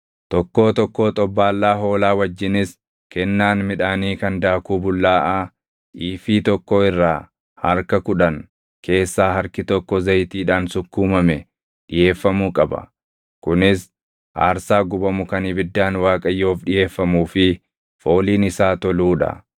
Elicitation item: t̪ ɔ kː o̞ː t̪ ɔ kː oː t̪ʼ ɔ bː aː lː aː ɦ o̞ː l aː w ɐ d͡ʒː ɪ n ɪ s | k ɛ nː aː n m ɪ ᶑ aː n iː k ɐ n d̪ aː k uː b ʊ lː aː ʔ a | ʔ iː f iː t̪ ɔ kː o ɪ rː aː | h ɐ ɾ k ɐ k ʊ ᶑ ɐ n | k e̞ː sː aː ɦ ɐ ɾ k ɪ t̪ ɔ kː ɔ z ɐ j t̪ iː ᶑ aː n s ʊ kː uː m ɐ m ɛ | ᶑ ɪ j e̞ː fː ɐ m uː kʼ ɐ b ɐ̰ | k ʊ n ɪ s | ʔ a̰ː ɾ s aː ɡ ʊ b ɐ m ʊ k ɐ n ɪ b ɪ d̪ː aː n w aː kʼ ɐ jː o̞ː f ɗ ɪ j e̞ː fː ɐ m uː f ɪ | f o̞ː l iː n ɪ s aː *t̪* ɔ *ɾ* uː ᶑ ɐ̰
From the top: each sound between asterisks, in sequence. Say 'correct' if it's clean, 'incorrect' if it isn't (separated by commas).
correct, incorrect